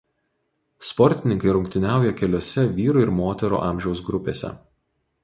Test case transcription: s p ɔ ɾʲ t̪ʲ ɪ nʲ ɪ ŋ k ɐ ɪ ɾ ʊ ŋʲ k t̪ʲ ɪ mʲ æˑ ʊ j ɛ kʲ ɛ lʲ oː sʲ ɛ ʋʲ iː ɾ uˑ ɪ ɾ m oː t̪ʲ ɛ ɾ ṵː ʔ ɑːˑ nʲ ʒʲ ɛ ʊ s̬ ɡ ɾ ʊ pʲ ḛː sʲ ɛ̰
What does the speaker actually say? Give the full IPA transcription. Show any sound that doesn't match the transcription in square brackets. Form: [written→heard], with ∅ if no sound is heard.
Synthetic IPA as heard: s p ɔ ɾʲ t̪ʲ ɪ nʲ ɪ ŋ k ɐ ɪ ɾ ʊ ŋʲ k t̪ʲ ɪ [mʲ→nʲ] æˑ ʊ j ɛ kʲ ɛ lʲ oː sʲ ɛ ʋʲ iː ɾ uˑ ɪ ɾ m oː t̪ʲ ɛ ɾ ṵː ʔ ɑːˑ [nʲ→mʲ] ʒʲ ɛ ʊ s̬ ɡ ɾ ʊ pʲ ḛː sʲ ɛ̰